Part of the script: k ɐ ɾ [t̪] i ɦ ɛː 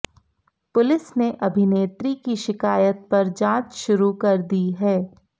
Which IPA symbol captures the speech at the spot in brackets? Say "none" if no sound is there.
d̪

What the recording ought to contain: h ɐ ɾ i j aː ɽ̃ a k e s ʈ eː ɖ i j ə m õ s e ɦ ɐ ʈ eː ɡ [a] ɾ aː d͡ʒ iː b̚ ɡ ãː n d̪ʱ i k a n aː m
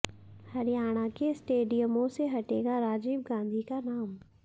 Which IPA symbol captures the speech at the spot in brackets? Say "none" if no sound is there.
a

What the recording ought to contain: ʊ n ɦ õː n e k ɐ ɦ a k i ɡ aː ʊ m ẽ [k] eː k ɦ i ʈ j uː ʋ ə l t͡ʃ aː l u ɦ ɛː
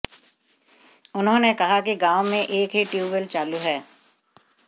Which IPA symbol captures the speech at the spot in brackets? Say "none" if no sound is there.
ʔ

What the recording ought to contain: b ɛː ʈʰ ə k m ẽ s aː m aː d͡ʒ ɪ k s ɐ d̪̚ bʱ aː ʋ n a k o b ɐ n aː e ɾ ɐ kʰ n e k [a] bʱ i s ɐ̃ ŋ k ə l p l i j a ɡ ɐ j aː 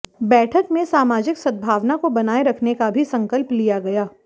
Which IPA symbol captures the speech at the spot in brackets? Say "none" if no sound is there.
a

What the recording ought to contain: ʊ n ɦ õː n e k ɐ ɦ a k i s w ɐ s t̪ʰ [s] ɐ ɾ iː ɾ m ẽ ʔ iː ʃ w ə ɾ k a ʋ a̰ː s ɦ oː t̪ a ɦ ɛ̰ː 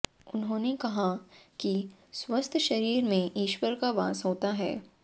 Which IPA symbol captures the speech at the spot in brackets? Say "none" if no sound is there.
ʃ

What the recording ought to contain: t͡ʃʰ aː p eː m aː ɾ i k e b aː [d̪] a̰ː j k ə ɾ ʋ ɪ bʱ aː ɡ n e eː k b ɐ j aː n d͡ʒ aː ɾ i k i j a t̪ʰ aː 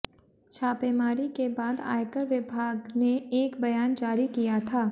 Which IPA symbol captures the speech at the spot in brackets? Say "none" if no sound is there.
d̪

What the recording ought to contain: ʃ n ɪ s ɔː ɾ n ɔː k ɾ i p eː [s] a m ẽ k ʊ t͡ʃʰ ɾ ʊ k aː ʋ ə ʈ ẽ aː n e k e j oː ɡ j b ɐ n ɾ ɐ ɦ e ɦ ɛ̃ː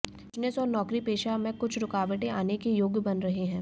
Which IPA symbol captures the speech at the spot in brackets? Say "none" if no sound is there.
ʃ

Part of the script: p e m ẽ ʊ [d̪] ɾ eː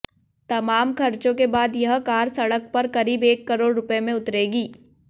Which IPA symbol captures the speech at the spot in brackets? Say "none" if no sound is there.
t̪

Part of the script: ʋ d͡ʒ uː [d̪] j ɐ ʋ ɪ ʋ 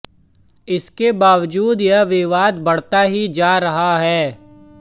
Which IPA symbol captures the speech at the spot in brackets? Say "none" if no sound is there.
d̪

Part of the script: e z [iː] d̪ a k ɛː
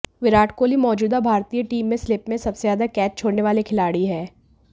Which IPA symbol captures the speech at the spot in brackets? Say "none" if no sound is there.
aː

